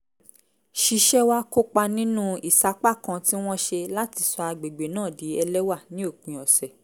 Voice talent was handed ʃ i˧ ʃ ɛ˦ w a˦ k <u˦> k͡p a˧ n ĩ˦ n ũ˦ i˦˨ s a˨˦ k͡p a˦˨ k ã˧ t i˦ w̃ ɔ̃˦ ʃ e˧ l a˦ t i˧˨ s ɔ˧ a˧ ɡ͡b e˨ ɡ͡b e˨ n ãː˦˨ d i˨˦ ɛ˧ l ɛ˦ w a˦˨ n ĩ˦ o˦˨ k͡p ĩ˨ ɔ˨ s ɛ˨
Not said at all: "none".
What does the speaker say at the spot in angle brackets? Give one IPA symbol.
o˦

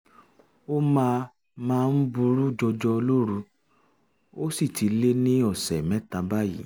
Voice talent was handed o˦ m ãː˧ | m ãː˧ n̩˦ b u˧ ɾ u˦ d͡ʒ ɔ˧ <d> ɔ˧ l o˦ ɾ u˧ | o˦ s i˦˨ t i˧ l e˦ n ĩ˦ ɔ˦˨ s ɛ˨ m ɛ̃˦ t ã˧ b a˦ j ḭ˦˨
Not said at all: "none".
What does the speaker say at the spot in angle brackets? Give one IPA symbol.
d͡ʒ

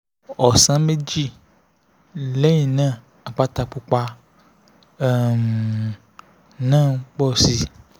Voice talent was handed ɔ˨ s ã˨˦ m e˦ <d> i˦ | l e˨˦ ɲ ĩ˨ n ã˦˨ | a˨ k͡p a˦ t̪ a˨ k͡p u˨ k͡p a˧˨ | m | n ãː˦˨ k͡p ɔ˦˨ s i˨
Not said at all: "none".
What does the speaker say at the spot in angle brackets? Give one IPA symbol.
d͡ʒ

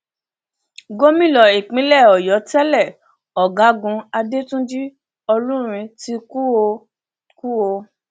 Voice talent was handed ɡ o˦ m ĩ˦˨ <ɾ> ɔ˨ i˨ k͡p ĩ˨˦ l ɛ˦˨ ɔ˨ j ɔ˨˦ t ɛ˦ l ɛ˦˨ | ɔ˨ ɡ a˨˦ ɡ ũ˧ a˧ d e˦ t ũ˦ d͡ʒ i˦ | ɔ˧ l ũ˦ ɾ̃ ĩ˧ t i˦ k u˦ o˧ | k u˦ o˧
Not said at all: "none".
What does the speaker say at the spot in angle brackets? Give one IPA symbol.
l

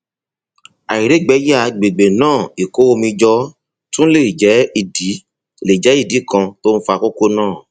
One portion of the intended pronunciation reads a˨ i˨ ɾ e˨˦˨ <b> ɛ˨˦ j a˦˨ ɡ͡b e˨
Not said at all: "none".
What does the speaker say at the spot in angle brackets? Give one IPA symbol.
ɡ͡b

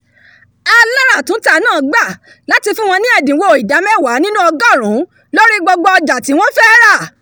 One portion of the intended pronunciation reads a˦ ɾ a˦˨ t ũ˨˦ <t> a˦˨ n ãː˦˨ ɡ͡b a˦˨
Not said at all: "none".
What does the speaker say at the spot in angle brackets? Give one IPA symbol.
t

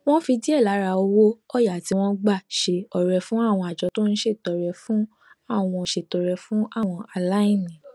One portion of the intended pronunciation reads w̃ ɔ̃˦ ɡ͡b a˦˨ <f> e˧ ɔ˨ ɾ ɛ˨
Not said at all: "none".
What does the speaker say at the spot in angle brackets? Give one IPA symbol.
ʃ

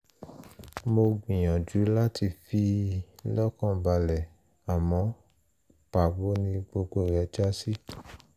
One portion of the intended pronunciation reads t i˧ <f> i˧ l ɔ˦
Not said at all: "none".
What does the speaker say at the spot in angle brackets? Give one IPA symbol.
f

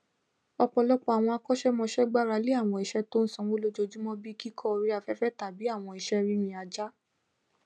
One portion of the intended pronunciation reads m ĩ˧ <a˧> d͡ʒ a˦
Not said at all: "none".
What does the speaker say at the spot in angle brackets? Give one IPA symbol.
a˧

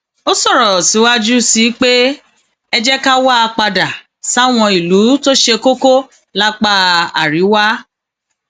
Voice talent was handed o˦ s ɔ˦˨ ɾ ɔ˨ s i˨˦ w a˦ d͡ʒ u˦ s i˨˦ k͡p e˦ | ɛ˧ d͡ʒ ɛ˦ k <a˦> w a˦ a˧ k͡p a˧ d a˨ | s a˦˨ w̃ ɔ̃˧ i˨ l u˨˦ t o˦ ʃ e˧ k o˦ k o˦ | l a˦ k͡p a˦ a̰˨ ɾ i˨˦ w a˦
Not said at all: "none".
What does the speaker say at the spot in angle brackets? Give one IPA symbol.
a˦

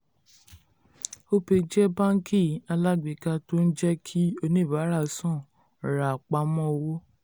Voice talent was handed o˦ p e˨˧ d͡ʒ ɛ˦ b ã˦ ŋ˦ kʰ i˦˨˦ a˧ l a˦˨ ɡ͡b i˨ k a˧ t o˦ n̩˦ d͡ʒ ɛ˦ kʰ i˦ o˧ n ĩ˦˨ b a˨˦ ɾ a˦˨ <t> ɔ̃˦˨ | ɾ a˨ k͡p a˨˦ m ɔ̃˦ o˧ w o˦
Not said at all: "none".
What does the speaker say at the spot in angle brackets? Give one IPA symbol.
s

